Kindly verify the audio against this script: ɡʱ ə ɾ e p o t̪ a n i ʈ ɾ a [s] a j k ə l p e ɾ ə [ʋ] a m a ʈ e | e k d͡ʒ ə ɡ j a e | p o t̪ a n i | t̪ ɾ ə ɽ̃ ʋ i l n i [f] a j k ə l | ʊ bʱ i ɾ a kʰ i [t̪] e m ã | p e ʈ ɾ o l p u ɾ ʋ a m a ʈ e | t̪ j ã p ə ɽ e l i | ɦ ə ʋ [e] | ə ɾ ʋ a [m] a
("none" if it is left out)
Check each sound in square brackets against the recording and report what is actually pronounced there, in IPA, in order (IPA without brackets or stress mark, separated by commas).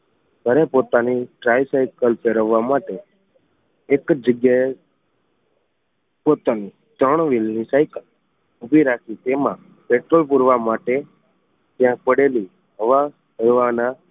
s, ʋː, s, t̪, a, n